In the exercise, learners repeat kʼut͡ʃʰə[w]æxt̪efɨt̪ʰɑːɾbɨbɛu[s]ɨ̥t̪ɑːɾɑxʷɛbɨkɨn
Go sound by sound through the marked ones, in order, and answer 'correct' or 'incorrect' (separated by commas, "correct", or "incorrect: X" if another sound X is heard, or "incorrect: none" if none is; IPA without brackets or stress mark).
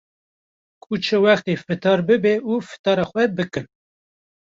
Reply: correct, incorrect: f